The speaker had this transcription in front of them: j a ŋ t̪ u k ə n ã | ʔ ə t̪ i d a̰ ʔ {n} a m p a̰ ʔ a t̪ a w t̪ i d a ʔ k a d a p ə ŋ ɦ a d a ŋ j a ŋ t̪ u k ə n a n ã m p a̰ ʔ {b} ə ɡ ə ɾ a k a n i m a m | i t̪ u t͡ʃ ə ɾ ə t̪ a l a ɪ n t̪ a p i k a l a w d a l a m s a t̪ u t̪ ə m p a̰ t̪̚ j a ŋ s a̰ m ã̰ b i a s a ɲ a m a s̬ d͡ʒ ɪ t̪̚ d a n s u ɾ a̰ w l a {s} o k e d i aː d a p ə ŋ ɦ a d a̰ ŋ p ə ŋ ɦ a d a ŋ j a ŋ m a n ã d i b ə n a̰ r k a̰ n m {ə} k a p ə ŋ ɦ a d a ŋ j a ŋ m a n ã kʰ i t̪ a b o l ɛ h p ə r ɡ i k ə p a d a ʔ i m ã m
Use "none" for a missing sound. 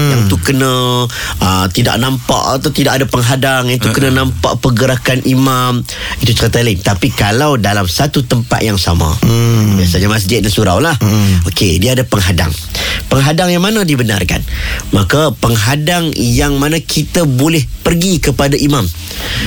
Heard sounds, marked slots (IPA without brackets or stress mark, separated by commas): n, p, h, a